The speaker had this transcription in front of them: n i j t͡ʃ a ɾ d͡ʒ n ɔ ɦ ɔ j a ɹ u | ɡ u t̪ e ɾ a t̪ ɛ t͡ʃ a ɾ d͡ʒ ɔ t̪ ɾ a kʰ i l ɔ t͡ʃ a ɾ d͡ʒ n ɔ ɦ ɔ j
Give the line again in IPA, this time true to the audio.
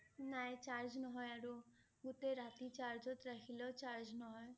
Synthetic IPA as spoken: n a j t͡ʃ a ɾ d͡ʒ n ɔ ɦ ɔ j a ɾ u | ɡ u t̪ e ɾ a t̪ i t͡ʃ a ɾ d͡ʒ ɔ t̪ ɾ a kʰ i l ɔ t͡ʃ a ɾ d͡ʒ n ɔ ɦ ɔ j